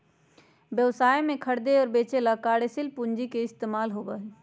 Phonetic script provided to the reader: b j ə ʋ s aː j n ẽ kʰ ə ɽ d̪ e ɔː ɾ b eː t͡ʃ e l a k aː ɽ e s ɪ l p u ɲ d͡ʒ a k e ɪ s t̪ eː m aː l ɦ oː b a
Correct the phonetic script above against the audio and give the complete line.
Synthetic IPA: b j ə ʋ s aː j m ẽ kʰ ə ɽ d̪ e ɔː ɾ b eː t͡ʃ e l a k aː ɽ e s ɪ l p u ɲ d͡ʒ i k e ɪ s t̪ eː m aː l ɦ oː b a